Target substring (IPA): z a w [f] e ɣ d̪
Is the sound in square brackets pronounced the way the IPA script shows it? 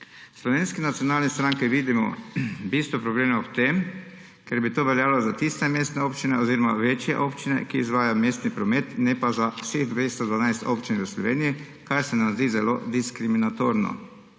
no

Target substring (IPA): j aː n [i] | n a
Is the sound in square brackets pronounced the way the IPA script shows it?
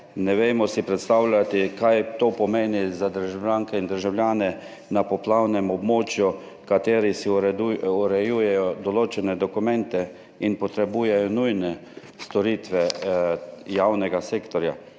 no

